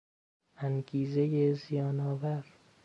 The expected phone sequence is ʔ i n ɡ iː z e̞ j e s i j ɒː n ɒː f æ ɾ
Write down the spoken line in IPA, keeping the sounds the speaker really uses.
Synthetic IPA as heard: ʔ æ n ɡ iː z e̞ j e z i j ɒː n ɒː v æ ɾ